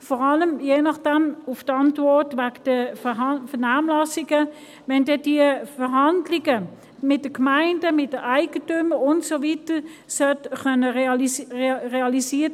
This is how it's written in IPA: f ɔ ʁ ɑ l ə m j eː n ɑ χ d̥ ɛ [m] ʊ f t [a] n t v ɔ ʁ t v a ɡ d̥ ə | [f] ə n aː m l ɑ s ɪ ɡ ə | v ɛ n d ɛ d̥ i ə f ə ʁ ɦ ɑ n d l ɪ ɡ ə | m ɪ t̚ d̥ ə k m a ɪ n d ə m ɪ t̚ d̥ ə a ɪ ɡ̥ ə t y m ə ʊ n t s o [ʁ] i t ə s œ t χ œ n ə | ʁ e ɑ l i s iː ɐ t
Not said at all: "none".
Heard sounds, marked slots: m, ɑ, f, v

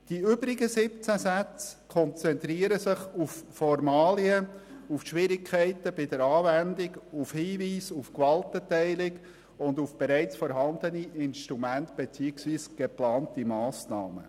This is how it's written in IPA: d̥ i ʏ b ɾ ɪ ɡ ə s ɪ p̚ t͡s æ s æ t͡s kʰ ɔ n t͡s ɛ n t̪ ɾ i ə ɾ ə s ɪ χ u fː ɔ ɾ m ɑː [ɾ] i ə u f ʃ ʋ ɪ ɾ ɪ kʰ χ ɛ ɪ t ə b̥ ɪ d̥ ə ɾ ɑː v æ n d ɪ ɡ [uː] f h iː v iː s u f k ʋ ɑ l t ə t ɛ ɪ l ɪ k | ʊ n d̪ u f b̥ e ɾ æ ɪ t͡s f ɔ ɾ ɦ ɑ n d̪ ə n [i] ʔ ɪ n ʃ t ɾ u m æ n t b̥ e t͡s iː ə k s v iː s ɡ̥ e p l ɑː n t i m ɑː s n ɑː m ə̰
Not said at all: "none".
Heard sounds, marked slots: l, u, i

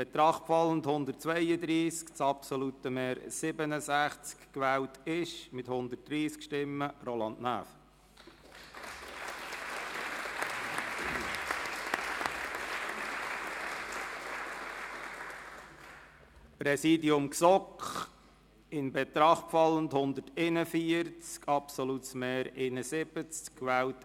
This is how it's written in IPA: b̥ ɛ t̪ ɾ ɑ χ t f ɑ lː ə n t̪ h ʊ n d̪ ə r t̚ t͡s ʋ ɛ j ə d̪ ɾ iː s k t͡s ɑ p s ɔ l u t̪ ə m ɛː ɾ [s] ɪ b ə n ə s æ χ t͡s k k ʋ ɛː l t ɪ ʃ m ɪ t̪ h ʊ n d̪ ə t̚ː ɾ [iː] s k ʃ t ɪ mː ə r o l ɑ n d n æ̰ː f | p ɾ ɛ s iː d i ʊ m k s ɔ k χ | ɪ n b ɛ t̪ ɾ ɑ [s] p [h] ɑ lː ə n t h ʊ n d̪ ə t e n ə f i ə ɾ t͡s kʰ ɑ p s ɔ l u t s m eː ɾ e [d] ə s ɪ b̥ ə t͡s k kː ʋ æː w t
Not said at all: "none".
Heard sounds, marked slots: s, iː, χ, f, n

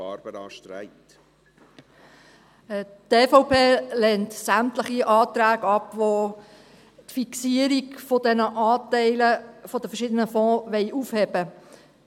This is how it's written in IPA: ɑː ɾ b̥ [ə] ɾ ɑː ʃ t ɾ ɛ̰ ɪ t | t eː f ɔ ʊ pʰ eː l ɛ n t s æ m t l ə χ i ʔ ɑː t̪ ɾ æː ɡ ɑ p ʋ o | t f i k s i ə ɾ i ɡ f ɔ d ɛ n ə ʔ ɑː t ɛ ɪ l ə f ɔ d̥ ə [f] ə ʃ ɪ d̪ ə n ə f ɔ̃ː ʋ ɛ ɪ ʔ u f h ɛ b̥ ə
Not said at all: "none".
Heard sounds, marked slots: ə, f

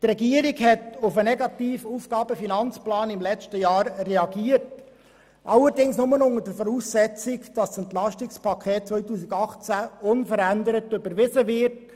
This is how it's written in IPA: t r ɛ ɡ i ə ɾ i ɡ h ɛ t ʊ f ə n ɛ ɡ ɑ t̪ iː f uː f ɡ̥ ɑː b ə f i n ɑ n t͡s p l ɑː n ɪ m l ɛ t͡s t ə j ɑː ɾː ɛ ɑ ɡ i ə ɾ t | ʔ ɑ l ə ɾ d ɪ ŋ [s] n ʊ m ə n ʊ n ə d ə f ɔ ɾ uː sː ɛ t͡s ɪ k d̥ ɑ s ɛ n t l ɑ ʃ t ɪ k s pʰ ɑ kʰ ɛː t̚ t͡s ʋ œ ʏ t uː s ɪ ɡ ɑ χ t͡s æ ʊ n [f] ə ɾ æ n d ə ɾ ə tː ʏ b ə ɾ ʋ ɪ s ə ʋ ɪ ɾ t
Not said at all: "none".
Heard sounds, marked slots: s, f

